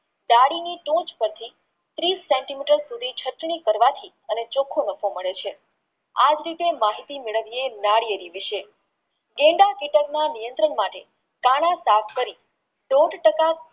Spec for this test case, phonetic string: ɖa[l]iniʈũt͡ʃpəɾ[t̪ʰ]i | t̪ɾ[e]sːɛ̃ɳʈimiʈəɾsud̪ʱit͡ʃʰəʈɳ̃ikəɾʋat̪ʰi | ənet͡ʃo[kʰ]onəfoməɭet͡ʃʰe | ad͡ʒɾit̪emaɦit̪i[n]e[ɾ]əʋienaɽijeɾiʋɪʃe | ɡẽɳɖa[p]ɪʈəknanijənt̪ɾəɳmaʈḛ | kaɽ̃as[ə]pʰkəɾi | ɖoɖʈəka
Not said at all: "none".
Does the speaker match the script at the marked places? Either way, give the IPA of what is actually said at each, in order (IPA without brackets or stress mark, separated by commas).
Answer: ɽ, t̪ʰ, i, kʰ, m, ɭ, k, a